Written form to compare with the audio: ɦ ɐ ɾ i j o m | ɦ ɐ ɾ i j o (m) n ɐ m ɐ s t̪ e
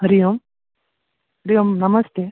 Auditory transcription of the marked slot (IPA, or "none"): m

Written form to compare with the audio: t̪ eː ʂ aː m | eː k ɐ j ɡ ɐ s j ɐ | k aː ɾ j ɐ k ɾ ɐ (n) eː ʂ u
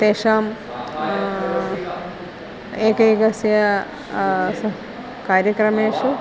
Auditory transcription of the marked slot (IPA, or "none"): m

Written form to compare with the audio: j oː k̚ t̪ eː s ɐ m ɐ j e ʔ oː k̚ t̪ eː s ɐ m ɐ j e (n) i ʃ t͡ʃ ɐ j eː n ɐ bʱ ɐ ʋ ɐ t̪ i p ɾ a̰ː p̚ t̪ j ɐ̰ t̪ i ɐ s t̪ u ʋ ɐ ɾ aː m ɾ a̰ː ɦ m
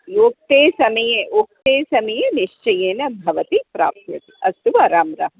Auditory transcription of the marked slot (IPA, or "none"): n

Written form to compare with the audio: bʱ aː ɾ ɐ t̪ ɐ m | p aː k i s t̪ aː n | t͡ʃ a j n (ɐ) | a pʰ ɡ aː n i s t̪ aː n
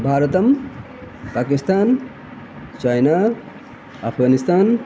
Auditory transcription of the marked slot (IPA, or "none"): a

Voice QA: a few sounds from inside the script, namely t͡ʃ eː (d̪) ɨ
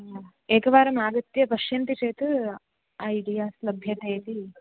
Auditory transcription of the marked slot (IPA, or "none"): t̪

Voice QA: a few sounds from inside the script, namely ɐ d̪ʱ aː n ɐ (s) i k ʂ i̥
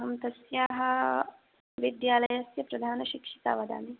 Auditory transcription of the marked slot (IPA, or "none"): ʃ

